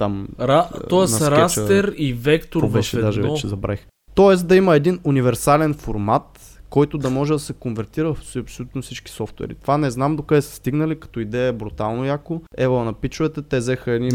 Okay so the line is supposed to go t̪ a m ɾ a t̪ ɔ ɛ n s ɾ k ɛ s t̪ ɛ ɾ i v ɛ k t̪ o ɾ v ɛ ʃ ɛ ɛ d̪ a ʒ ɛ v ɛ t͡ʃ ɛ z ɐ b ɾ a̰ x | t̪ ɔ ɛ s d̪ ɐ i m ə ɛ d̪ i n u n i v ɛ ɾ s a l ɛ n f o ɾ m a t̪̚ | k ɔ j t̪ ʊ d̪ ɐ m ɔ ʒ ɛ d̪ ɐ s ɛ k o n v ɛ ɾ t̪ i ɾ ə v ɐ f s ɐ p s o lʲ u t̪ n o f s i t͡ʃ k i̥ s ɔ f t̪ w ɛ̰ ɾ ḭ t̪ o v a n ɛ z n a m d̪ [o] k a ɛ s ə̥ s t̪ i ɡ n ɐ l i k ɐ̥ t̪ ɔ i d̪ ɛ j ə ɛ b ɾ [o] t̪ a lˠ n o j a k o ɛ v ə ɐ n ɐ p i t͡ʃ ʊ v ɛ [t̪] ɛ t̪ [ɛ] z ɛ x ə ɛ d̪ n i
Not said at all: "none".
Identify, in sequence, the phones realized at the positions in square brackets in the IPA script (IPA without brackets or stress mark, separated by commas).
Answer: o, u, t̪, ɛ